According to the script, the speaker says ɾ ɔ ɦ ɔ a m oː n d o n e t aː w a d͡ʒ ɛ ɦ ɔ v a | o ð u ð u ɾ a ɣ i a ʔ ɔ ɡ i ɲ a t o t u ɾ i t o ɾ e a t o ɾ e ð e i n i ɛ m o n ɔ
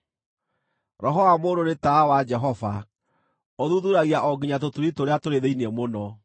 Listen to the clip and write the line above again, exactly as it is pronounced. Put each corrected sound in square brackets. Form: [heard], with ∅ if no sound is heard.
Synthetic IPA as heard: ɾ ɔ ɦ ɔ a m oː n d o n e t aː w a d͡ʒ ɛ ɦ ɔ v a | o ð u ð u ɾ a ɣ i a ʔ ɔ ɡ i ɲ a t o t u ɾ i t o ɾ e a t o ɾ e ð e i n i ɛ m o n ɔ